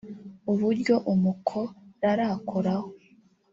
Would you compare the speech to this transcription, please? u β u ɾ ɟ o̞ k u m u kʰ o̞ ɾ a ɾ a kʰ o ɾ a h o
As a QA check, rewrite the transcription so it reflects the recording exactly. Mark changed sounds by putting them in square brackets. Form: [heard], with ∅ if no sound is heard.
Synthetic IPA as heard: u β u ɾ ɟ o̞ [ʔ] u m u kʰ o̞ ɾ a ɾ a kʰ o ɾ a h o